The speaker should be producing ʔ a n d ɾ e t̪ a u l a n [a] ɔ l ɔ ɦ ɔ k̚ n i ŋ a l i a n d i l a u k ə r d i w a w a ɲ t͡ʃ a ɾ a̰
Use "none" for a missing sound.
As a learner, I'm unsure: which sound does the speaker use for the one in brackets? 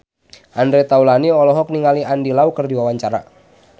i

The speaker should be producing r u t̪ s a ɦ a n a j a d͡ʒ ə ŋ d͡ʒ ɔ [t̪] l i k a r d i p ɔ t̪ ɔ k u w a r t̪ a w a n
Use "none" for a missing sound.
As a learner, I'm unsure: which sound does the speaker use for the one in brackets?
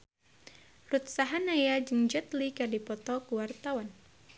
t̪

